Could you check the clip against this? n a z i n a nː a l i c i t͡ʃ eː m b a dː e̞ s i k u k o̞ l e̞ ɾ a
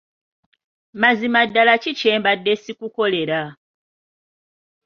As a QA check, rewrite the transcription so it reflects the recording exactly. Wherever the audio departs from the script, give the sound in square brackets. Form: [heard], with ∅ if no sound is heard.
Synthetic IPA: [m] a z i [m] a [dː] a l [a] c i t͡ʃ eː m b a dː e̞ s i k u k o̞ l e̞ ɾ a